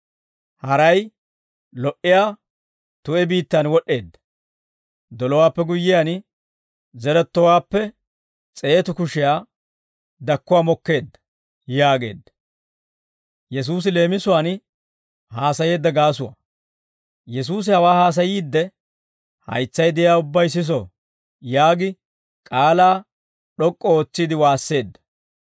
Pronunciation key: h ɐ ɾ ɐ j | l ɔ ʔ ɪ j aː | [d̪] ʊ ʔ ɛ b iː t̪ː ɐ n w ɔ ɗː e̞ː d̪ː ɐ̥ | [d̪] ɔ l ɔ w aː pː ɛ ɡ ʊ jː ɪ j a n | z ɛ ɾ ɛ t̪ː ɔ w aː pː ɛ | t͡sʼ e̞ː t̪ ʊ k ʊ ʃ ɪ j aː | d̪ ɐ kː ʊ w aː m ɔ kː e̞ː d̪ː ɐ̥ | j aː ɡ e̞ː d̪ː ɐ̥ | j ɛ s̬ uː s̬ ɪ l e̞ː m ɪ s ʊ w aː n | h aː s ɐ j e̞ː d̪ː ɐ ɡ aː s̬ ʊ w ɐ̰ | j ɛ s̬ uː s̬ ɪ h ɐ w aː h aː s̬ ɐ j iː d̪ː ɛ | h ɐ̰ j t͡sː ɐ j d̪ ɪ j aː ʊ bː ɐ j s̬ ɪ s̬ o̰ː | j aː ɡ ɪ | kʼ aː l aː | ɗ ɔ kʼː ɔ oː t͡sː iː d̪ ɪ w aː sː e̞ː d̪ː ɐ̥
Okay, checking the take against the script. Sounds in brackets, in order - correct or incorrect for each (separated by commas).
incorrect, correct